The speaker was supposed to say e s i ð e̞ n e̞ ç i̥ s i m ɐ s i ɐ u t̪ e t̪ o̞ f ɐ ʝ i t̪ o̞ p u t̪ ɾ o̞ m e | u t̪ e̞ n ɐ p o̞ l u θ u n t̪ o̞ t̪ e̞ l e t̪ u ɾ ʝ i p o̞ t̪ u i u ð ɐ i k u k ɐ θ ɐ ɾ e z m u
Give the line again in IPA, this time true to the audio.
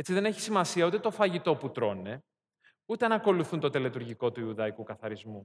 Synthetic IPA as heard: e t͡s i ð e̞ n e̞ ç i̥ s i m ɐ s i ɐ u t̪ e t̪ o̞ f ɐ ʝ i t̪ o̞ p u t̪ ɾ o̞ n e | u t̪ e̞ n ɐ k o̞ l u θ u n t̪ o̞ t̪ e̞ l e t̪ u ɾ ʝ i k o̞ t̪ u i u ð ɐ i k u k ɐ θ ɐ ɾ i z m u